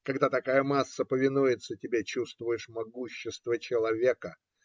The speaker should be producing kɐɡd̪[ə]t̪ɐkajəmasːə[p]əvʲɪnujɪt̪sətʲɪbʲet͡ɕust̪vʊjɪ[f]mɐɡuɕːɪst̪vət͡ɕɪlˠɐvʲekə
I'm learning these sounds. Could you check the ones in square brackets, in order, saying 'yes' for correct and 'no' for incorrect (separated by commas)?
no, yes, no